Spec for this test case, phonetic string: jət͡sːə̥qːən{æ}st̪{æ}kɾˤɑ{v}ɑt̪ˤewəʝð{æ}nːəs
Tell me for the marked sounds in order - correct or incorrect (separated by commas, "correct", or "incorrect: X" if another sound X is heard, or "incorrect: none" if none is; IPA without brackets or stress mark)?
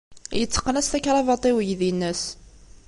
correct, correct, correct, incorrect: i